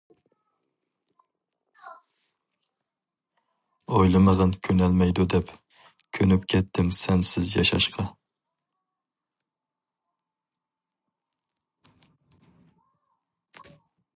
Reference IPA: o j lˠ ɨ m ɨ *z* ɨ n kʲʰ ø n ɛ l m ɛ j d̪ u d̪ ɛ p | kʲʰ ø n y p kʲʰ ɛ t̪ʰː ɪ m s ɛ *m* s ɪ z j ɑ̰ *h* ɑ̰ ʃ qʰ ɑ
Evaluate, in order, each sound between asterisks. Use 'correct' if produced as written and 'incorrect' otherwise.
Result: incorrect, incorrect, incorrect

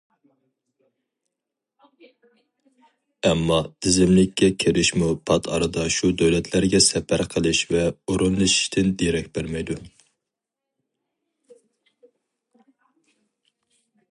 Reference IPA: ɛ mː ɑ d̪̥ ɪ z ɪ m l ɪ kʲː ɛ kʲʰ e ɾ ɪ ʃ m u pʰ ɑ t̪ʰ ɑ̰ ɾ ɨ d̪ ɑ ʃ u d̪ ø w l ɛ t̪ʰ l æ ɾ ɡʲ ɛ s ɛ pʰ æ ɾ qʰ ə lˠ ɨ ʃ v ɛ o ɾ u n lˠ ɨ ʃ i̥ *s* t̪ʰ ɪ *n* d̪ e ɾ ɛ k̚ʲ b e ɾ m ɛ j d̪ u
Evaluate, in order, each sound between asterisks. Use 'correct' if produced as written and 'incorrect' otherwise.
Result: incorrect, correct

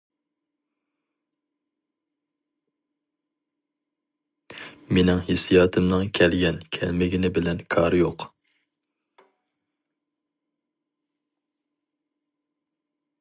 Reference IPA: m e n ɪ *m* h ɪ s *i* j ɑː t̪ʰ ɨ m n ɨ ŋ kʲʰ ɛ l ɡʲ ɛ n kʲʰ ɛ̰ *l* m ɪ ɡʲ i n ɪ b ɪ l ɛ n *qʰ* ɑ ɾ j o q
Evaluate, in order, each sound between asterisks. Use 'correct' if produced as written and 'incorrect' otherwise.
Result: incorrect, correct, correct, incorrect

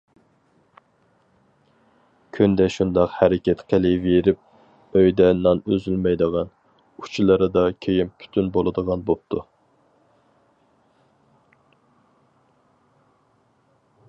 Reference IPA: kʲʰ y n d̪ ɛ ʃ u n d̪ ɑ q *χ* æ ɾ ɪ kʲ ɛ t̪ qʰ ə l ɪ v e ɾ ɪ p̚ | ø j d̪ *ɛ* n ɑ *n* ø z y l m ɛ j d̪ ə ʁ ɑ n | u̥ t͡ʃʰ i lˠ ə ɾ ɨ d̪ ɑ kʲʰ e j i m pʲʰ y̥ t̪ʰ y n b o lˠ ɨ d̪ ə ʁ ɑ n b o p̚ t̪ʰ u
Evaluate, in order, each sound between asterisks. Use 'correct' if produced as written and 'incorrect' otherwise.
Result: incorrect, correct, correct

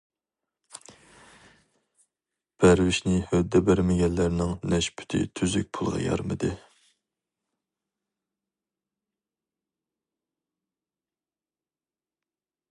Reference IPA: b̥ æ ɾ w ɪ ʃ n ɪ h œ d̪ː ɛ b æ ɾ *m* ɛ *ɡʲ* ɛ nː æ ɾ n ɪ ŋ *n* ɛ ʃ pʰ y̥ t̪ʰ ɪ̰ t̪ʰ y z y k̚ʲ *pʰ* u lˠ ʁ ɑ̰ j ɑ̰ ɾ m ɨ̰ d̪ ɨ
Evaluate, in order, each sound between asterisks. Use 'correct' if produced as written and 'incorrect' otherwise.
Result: correct, correct, correct, correct

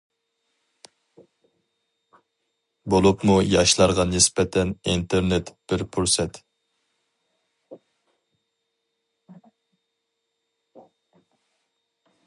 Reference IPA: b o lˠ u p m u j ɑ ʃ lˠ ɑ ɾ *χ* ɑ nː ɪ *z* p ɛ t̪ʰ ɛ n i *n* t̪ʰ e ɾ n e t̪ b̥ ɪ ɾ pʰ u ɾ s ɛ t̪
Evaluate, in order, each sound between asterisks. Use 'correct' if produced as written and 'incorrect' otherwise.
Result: incorrect, incorrect, correct

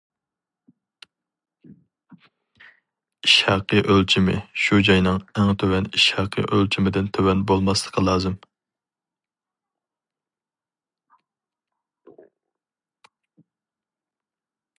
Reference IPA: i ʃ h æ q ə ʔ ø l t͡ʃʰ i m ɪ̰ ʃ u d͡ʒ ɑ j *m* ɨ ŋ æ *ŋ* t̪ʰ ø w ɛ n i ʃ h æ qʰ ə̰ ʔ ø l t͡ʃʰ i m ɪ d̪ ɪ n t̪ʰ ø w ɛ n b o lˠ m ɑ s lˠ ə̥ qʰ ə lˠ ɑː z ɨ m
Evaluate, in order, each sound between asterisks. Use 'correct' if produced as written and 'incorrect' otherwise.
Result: incorrect, correct

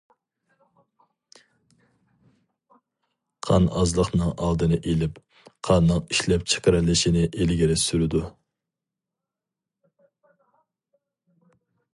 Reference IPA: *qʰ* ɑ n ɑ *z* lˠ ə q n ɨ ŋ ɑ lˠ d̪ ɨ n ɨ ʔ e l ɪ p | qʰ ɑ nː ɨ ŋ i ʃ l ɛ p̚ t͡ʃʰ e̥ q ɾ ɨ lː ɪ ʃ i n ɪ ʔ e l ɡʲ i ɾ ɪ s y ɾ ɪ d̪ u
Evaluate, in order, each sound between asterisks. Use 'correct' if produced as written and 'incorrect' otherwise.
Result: correct, correct

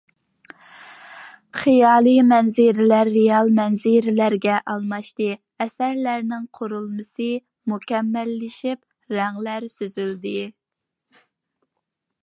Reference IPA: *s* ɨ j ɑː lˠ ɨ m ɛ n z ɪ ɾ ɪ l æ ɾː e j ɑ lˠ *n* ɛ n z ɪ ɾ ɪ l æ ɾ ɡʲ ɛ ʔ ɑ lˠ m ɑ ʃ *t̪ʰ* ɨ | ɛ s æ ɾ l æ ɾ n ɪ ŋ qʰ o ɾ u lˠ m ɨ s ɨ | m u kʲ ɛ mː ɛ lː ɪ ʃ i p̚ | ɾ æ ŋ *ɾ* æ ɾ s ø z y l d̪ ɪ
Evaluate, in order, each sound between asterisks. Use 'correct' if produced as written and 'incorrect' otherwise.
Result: incorrect, incorrect, incorrect, incorrect

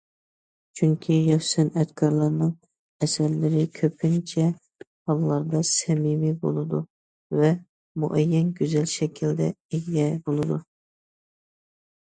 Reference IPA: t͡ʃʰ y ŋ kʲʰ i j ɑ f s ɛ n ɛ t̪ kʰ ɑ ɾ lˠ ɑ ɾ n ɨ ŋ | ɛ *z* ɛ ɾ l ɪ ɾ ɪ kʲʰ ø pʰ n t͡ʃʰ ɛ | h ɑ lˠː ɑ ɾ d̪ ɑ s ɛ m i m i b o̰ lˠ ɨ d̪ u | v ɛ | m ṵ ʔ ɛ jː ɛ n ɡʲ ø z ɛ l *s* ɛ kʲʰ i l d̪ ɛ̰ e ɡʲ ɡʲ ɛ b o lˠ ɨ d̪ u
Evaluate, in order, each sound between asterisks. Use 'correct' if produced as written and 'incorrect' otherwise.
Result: incorrect, incorrect

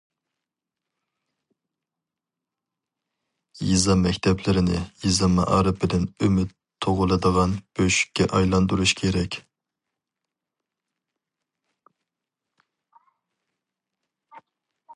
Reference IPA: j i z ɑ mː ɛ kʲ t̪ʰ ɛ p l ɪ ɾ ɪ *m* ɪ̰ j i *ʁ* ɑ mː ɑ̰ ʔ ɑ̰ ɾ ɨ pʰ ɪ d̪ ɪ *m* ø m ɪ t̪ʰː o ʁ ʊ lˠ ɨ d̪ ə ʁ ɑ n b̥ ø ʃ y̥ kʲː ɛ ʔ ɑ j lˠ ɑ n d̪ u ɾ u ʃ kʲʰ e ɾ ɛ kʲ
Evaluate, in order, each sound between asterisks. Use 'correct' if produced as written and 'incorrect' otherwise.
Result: incorrect, incorrect, incorrect

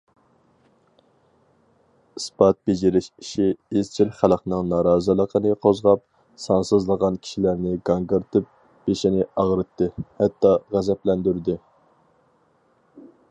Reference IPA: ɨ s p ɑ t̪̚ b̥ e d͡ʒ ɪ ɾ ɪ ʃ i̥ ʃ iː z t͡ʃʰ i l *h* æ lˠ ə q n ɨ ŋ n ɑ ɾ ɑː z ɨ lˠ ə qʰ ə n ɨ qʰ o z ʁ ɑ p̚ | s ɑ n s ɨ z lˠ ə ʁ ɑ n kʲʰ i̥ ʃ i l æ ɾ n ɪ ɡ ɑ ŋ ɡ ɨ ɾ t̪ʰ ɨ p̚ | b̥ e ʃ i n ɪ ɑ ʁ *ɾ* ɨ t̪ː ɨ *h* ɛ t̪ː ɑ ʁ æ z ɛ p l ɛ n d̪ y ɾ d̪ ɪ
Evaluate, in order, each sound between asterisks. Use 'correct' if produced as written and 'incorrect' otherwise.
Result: incorrect, correct, correct

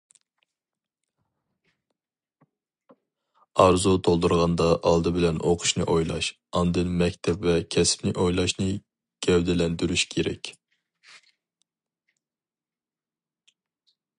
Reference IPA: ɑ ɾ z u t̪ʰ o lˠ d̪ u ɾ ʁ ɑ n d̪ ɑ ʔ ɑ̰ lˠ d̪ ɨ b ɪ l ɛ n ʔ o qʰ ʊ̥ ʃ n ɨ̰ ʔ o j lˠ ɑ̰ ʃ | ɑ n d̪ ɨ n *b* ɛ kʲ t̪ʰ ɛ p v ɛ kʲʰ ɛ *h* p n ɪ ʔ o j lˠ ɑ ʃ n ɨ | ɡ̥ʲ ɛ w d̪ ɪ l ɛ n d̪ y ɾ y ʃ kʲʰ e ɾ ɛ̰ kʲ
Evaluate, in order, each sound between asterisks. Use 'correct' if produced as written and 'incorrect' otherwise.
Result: incorrect, incorrect

